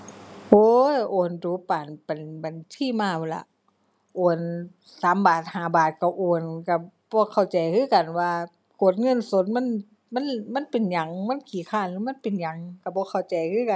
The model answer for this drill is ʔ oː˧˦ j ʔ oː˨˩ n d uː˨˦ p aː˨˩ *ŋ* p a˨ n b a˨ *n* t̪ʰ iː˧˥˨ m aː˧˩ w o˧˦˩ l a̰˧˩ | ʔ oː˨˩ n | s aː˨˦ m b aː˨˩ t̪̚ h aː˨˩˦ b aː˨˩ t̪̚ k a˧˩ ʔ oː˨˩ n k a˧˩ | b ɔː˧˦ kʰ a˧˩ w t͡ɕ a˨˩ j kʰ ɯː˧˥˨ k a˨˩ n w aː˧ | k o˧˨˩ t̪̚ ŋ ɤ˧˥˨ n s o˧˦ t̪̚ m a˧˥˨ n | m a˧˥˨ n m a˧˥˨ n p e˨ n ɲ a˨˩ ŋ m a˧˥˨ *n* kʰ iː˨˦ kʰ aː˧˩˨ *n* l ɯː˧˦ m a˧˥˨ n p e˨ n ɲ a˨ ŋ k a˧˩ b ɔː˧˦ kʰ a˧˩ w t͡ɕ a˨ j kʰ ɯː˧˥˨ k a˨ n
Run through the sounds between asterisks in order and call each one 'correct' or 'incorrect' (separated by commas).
incorrect, correct, correct, correct